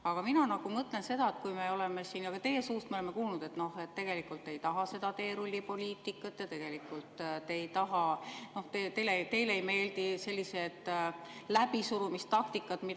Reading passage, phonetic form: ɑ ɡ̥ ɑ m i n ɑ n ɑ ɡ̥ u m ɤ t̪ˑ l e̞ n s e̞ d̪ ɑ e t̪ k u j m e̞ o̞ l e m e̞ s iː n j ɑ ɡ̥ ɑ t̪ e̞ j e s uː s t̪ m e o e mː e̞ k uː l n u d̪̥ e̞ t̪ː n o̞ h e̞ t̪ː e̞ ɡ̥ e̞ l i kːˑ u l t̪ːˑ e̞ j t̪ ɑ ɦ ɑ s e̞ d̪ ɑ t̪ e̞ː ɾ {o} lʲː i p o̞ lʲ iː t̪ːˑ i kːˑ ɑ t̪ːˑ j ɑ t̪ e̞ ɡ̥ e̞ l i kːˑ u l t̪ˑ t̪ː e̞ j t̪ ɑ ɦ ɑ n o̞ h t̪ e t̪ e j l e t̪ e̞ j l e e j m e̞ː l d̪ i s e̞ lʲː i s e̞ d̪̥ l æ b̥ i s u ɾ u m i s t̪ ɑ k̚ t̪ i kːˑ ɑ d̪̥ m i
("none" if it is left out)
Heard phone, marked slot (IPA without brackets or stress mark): u